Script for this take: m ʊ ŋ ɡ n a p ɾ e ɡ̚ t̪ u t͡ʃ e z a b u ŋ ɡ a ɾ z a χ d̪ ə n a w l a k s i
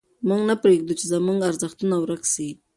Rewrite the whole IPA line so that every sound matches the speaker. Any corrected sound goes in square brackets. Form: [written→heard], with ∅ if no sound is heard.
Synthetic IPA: m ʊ ŋ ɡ n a p ɾ e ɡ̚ [t̪→d̪] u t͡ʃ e z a [b→m] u ŋ ɡ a ɾ z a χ [d̪→t̪] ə n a w [l→ɾ] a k s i